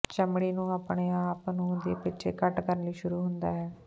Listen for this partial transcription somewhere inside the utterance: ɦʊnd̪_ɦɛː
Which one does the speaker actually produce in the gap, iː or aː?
aː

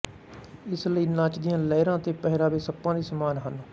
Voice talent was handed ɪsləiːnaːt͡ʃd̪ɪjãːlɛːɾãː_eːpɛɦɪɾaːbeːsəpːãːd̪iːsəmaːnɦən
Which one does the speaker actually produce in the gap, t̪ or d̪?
t̪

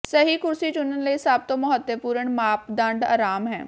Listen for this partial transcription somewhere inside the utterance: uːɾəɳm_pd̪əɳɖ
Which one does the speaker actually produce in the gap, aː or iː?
aː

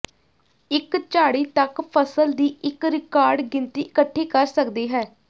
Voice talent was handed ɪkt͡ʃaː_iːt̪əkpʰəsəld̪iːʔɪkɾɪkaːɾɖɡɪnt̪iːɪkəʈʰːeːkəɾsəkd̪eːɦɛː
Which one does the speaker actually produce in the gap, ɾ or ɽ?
ɽ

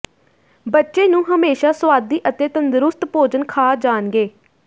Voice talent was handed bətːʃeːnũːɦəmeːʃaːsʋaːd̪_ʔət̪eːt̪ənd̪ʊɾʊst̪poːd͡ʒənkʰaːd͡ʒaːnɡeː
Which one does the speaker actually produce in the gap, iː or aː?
iː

